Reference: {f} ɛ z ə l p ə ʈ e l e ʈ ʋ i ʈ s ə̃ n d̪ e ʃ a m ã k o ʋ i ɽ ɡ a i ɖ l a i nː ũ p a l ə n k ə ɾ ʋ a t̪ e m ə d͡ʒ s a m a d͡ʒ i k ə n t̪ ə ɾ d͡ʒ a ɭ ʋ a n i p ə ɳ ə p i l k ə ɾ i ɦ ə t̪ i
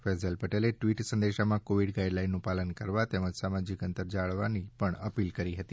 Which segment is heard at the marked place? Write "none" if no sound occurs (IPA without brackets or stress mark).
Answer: f